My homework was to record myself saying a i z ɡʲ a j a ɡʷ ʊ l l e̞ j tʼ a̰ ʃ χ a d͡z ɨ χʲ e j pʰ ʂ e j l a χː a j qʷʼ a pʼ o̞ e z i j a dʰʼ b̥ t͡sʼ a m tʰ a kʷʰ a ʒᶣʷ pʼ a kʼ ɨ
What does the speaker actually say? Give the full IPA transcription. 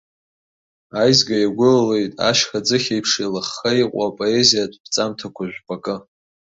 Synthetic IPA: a j z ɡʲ a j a ɡʷ ʊ l l e̞ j tʼ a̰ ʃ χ a d͡z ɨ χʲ e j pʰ ʂ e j l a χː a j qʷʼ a pʼ o̞ e z i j a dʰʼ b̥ t͡sʼ a m tʰ a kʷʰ a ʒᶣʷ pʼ a kʼ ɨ